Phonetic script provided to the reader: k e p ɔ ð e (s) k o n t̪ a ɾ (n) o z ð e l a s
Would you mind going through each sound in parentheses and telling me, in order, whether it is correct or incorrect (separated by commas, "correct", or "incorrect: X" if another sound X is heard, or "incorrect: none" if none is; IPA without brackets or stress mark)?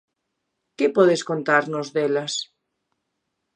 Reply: correct, correct